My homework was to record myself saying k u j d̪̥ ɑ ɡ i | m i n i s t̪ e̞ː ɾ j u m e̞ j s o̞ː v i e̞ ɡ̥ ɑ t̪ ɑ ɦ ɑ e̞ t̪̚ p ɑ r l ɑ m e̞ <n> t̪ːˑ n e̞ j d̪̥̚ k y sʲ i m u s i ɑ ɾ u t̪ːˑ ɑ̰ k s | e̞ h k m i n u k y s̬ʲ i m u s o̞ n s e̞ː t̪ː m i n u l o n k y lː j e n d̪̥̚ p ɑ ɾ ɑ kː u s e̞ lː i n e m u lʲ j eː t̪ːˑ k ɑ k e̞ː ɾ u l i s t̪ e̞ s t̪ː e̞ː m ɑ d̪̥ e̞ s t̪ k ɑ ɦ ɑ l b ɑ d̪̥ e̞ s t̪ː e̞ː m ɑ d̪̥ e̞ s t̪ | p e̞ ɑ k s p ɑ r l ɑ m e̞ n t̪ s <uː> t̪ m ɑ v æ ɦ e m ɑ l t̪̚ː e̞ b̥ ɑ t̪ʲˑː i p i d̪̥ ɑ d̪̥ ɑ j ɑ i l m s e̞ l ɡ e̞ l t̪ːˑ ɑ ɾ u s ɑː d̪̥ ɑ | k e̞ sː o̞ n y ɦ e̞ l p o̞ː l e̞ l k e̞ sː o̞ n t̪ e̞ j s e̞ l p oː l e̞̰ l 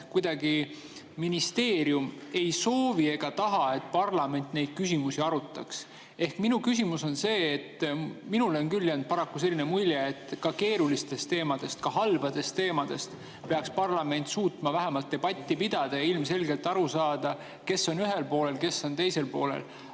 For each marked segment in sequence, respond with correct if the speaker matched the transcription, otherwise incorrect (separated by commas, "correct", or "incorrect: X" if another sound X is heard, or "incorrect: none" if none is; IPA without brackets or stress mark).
correct, correct